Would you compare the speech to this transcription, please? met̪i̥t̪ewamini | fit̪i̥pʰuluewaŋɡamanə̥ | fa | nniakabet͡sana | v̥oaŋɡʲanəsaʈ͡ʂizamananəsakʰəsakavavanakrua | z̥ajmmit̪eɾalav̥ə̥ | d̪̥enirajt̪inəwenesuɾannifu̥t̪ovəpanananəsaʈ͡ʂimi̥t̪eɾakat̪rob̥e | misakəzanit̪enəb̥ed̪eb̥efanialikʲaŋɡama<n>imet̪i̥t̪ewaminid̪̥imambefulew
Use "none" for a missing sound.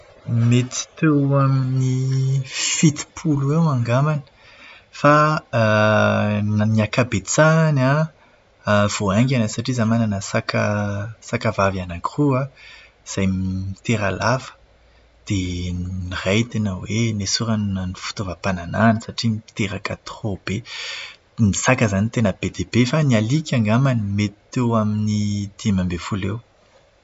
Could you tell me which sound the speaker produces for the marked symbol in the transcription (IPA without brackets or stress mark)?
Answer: n